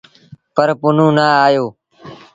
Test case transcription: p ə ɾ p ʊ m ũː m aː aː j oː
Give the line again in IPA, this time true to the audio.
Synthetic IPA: p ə ɾ p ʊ n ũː n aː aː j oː

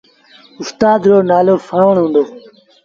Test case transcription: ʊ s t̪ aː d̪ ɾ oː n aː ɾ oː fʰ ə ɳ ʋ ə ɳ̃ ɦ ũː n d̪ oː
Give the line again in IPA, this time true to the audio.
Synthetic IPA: ʊ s t̪ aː d̪ ɾ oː n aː l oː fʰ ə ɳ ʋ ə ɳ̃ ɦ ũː n d̪ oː

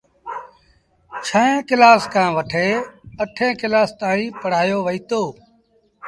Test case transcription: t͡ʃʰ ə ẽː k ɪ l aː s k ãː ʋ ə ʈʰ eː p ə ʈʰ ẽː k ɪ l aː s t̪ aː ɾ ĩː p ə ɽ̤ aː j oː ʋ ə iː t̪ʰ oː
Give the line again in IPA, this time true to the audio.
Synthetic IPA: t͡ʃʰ ə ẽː k ɪ l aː s k ãː ʋ ə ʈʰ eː ə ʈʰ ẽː k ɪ l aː s t̪ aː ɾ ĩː p ə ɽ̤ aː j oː ʋ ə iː t̪ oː

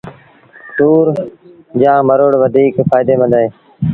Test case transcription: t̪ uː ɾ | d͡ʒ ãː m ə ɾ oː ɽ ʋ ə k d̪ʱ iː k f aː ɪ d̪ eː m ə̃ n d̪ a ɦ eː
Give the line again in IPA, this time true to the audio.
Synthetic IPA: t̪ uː ɾ | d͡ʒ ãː m ə ɾ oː ɽ ʋ ə d̪ʱ iː k f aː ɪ d̪ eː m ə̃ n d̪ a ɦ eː

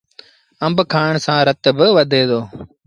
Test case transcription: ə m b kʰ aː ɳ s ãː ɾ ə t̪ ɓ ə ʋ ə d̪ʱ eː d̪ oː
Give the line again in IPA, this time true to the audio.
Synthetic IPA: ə m b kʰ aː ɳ s ãː ɾ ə t̪ b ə ʋ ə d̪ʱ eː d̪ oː

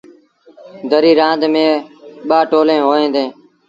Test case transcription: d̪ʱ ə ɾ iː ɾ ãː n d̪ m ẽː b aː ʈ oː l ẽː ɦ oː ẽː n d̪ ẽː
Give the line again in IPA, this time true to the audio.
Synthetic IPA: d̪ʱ ə ɾ iː ɾ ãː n d̪ m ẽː ɓ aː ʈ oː l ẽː ɦ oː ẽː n d̪ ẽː

